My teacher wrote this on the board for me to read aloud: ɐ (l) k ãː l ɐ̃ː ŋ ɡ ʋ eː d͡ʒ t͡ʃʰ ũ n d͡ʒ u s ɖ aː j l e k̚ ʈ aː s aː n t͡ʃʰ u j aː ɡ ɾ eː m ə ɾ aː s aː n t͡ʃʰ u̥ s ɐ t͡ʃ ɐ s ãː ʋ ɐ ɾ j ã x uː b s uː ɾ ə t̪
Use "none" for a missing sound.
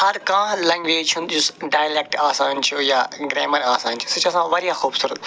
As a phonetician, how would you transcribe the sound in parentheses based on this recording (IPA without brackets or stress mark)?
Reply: ɾ